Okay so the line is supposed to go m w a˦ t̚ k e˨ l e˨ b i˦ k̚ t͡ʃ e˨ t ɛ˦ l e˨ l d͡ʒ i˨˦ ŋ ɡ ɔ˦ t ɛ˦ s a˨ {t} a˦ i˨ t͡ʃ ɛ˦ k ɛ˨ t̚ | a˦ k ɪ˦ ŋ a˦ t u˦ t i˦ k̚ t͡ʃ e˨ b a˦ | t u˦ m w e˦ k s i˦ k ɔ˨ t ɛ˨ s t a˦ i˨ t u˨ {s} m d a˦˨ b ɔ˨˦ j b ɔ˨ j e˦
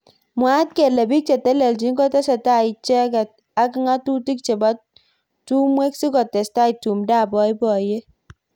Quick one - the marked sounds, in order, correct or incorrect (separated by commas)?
correct, incorrect